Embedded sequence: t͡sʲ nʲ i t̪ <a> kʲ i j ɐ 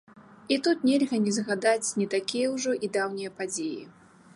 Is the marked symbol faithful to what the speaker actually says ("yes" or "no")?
yes